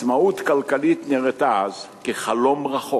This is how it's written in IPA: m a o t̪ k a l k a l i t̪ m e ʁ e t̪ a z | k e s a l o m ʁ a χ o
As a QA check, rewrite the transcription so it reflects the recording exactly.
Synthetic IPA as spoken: m a u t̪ k a l k a l i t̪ n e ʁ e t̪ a z | k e χ a l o m ʁ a χ o